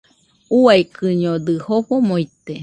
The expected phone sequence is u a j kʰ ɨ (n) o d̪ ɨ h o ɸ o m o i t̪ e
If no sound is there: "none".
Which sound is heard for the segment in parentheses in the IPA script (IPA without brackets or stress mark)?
ɲ